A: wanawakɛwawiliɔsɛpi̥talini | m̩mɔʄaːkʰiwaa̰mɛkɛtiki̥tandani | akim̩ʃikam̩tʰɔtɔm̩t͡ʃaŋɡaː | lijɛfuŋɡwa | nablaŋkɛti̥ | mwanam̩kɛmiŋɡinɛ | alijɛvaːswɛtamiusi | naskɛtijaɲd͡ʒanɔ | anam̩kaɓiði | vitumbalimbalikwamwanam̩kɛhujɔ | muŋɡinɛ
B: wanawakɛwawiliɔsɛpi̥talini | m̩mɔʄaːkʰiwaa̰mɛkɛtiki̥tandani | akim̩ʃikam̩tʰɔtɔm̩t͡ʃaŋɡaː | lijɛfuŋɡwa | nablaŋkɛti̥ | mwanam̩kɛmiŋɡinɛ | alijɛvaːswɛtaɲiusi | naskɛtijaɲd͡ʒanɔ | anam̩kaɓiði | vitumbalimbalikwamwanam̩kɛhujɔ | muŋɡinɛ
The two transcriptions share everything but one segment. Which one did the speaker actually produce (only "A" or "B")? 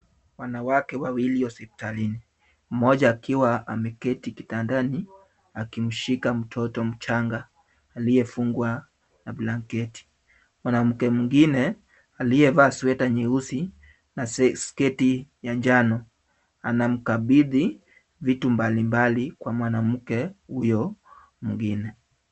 B